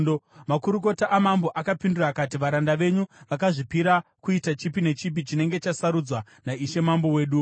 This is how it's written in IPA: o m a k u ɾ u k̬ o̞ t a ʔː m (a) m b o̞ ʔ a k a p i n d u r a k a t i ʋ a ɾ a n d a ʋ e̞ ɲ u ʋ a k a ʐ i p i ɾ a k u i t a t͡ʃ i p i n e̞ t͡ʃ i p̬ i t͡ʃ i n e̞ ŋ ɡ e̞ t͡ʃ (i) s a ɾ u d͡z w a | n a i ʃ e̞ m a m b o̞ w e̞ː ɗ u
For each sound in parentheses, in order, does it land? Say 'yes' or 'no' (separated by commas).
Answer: yes, no